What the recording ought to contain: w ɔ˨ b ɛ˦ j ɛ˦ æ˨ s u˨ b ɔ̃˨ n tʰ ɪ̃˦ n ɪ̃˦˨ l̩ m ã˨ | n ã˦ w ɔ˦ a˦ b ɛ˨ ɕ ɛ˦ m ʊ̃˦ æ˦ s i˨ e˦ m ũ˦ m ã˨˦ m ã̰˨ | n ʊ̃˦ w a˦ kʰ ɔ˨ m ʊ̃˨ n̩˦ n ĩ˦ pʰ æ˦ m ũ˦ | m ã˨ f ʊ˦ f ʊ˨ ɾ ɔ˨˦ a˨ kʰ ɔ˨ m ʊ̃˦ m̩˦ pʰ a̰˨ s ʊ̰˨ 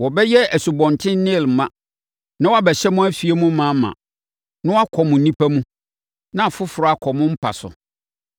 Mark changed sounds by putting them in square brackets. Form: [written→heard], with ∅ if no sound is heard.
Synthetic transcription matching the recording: w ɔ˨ b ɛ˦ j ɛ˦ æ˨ s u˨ b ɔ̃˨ n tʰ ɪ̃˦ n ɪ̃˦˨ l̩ m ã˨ | n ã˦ w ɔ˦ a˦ b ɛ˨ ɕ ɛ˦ m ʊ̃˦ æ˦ [s→f] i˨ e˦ m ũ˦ m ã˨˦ m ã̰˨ | n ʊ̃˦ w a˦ kʰ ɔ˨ m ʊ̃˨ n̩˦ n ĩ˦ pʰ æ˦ m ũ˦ | [m→n] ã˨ f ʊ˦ f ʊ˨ ɾ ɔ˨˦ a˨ kʰ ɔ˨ m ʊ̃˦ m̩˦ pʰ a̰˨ s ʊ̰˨